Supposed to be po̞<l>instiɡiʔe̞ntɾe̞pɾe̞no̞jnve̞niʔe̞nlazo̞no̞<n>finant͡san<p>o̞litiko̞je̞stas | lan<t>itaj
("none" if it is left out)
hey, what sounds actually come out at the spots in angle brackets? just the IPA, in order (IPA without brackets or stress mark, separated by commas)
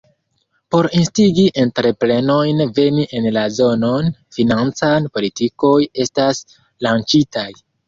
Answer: ɾ, n, p, t͡ʃ